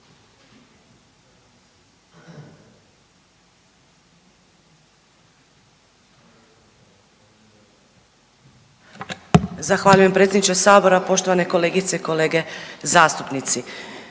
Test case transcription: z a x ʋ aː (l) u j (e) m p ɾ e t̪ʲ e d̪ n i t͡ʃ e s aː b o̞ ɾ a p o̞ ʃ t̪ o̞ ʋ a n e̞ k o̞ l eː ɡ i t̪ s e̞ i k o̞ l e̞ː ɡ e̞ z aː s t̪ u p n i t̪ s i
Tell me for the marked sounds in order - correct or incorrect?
incorrect, correct

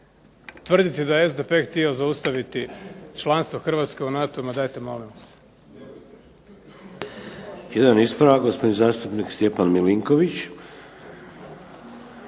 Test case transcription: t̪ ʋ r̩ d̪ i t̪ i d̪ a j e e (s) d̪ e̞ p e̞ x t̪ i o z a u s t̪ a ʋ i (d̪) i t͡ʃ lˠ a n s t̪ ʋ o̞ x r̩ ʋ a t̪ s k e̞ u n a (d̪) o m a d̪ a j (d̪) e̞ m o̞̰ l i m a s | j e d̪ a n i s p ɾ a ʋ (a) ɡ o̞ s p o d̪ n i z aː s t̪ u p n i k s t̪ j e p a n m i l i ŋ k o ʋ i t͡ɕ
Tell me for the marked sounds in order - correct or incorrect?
incorrect, incorrect, incorrect, incorrect, correct

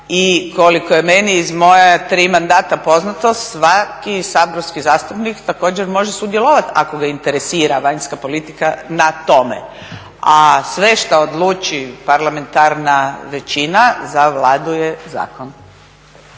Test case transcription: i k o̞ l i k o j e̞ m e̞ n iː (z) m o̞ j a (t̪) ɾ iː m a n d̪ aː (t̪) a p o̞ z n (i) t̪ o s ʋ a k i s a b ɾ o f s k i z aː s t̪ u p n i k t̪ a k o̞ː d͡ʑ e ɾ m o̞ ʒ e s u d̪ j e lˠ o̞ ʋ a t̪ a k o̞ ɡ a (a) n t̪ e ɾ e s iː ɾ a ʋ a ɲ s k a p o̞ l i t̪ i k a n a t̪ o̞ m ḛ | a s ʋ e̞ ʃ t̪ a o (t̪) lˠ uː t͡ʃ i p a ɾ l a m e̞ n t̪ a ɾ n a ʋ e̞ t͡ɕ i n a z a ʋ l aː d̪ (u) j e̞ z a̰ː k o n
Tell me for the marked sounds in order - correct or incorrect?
correct, correct, correct, incorrect, incorrect, incorrect, correct

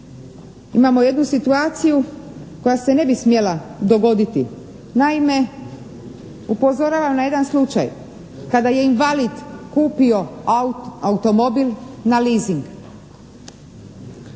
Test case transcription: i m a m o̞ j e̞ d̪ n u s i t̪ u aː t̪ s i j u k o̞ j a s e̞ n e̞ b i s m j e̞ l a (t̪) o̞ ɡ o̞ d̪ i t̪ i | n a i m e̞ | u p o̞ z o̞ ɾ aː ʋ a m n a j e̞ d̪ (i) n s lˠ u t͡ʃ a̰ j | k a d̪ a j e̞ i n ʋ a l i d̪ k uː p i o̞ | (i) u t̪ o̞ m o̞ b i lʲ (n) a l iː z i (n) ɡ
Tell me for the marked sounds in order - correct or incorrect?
incorrect, incorrect, incorrect, correct, incorrect

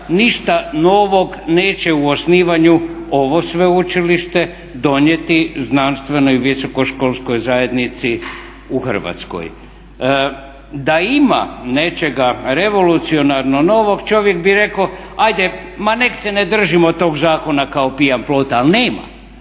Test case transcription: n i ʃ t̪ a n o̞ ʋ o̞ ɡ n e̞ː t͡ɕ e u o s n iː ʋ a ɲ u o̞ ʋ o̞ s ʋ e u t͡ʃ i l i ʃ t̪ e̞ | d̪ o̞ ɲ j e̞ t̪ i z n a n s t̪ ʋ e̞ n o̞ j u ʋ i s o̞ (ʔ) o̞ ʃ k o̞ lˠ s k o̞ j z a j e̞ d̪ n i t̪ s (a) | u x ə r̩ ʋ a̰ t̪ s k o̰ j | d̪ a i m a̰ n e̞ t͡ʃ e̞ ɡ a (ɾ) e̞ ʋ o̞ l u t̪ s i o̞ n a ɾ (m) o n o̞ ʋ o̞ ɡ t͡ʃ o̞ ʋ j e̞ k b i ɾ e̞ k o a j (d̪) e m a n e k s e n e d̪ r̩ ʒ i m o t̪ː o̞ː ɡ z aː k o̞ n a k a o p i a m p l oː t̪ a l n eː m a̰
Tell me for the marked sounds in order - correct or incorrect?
incorrect, incorrect, correct, incorrect, correct

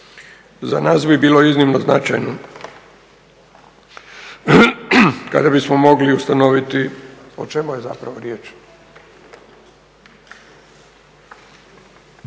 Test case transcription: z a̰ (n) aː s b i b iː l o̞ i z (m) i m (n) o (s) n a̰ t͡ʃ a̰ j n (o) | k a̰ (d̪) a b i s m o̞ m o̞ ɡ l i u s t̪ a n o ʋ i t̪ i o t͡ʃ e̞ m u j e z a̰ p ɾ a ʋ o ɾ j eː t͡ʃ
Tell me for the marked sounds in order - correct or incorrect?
correct, incorrect, correct, incorrect, correct, correct

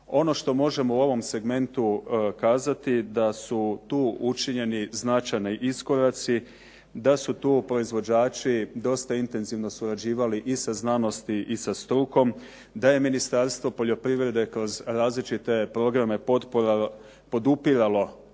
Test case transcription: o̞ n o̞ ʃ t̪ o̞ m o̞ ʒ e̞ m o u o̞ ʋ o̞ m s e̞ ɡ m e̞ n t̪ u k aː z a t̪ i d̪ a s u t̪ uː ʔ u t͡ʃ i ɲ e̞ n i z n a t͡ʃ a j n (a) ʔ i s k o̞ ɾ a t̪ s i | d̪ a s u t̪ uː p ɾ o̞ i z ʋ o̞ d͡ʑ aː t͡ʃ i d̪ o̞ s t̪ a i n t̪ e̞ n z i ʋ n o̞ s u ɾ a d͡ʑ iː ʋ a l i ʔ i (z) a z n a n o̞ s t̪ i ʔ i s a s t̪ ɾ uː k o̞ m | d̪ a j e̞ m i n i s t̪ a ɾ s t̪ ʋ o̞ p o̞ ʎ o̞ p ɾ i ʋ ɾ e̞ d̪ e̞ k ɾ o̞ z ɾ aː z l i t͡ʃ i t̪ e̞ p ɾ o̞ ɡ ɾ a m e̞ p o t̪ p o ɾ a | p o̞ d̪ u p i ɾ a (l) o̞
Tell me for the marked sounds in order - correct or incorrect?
incorrect, incorrect, correct

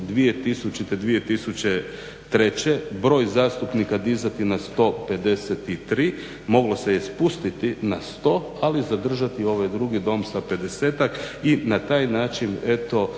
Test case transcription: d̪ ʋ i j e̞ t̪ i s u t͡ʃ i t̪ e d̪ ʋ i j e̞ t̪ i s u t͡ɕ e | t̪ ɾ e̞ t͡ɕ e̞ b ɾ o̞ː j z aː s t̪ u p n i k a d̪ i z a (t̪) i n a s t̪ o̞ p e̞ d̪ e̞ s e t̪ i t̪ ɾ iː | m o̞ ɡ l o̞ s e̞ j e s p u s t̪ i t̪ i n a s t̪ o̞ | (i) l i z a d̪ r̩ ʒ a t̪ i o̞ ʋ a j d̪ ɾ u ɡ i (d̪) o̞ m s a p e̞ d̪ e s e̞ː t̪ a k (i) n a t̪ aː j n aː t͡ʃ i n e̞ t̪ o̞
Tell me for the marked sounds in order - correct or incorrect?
correct, incorrect, correct, correct

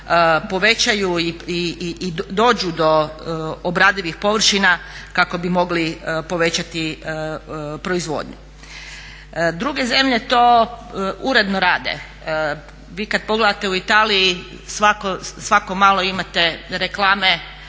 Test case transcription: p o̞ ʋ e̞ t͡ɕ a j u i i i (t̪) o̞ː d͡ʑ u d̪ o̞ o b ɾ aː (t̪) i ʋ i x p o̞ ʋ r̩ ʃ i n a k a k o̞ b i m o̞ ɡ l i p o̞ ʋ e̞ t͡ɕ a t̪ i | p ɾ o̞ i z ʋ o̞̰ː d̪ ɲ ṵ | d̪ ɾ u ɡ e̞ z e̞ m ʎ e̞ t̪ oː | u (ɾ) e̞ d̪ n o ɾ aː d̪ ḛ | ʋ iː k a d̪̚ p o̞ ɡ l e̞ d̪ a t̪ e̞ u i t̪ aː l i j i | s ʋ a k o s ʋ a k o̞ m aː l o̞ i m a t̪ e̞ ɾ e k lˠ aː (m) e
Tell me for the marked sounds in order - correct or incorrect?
incorrect, incorrect, correct, correct

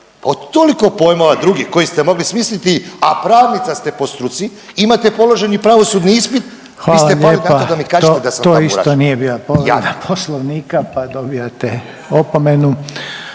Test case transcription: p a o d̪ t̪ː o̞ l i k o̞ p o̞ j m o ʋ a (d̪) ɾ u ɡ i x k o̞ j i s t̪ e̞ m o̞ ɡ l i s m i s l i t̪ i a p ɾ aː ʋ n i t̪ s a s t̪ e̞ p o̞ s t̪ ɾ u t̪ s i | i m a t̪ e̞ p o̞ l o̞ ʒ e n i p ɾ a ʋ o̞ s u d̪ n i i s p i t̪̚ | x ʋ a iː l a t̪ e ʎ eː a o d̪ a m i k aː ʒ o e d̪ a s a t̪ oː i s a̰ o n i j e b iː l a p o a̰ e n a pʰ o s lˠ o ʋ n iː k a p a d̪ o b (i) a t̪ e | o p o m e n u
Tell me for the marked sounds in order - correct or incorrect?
correct, correct

